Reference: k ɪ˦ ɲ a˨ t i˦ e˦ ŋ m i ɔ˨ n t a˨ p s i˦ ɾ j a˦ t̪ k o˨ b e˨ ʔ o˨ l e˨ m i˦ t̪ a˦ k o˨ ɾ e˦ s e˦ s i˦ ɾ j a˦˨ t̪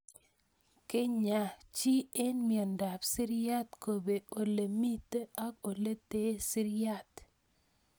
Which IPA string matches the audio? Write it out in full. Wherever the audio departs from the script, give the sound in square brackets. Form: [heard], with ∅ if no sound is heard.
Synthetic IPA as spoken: k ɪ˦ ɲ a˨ [t͡ʃ] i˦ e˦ [n] m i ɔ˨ n [d] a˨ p s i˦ ɾ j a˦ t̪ k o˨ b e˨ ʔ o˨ l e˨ m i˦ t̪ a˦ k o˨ [l] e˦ [t] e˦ s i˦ ɾ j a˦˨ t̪